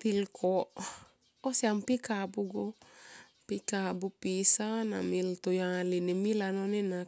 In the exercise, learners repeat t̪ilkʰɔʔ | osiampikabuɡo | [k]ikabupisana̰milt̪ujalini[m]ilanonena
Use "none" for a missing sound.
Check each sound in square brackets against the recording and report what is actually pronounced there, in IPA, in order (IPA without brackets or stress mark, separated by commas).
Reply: p, m